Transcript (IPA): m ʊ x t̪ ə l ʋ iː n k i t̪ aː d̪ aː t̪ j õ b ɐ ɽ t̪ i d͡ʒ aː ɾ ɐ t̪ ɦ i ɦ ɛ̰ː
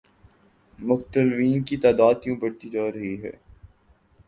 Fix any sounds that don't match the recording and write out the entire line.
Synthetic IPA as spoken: m ʊ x t̪ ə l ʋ iː n k i t̪ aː d̪ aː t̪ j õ b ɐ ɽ t̪ i d͡ʒ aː ɾ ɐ ɦ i ɦ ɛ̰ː